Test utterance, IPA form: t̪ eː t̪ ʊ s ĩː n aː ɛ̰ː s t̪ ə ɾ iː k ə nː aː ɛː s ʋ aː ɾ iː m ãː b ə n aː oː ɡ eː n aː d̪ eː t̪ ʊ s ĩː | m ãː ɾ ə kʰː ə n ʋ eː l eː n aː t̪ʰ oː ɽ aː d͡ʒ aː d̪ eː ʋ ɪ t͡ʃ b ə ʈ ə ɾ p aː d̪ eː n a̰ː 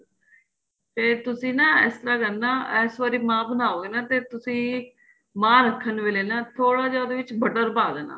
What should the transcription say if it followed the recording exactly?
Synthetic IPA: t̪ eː t̪ ʊ s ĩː n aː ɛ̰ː s t̪ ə ɾ aː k ə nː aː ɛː s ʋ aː ɾ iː m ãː b ə n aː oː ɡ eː n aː t̪ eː t̪ ʊ s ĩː | m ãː ɾ ə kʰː ə n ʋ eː l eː n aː t̪ʰ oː ɽ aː d͡ʒ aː d̪ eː ʋ ɪ t͡ʃ b ə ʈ ə ɾ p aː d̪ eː n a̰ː